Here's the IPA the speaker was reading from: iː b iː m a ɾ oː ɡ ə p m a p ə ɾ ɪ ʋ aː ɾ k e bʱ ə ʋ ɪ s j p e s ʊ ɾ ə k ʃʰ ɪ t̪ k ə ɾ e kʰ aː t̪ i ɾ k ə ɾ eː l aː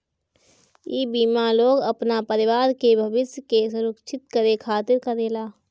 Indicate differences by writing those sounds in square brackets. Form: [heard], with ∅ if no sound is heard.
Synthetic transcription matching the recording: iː b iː m a [l] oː ɡ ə p [n] a p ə ɾ ɪ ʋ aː ɾ k e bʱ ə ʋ ɪ s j [k] e s ʊ ɾ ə k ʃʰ ɪ t̪ k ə ɾ e kʰ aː t̪ [ɪ] ɾ k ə ɾ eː l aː